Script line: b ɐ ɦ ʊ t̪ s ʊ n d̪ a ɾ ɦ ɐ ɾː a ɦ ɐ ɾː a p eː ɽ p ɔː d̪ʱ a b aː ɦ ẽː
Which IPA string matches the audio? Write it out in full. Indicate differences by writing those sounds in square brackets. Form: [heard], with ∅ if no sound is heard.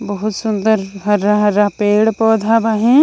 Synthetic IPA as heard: b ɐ ɦ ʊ t̪ s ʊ n d̪ [ə] ɾ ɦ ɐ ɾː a ɦ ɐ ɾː a p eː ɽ p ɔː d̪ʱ a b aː ɦ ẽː